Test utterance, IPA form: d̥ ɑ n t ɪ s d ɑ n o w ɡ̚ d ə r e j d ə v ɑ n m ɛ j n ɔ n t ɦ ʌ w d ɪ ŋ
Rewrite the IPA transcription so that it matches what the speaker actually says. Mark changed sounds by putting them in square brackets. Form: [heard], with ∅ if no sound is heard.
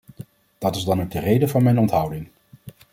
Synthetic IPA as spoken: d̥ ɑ [∅] t ɪ [z] d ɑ n o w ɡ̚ d ə r e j d ə v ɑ n m ɛ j n ɔ n t ɦ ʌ w d ɪ ŋ